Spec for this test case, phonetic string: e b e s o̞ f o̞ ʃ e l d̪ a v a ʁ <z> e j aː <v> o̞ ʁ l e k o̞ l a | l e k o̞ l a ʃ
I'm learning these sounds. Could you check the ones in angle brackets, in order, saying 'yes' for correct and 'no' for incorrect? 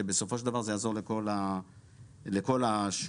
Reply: yes, no

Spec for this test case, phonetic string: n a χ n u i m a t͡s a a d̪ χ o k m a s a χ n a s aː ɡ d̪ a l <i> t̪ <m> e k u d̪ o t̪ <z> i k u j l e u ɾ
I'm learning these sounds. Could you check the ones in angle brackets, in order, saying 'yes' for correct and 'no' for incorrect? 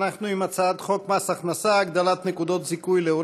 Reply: no, no, yes

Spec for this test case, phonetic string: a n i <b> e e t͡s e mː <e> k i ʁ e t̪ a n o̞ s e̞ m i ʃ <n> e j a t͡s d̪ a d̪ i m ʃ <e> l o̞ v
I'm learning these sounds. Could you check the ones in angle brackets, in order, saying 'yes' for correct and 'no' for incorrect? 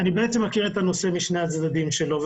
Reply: yes, no, yes, yes

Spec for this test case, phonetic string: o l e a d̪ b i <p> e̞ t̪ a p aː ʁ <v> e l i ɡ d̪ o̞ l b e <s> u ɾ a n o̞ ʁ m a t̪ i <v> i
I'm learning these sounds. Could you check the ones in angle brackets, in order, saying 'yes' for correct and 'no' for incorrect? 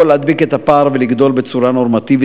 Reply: no, yes, no, yes

